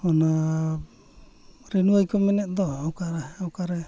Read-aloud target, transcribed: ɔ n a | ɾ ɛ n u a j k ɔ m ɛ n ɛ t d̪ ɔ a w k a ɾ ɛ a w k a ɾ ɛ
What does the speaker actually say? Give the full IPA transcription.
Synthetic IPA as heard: ɔ n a | ɾ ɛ n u a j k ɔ m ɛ n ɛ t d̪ ɔ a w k a ɾ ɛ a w k a ɾ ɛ